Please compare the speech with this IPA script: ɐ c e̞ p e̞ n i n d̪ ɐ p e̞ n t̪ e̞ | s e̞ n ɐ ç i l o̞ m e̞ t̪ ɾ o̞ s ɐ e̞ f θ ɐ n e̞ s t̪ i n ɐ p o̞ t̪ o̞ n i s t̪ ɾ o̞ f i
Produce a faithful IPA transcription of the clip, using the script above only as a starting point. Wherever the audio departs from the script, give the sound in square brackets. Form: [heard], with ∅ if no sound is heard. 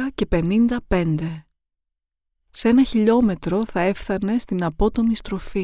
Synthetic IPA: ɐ c e̞ p e̞ n i n d̪ ɐ p e̞ n [d̪] e̞ | s e̞ n ɐ ç i [ʎ] o̞ m e̞ t̪ ɾ o̞ [θ] ɐ e̞ f θ ɐ n e̞ s t̪ i n ɐ p o̞ t̪ o̞ [m] i s t̪ ɾ o̞ f i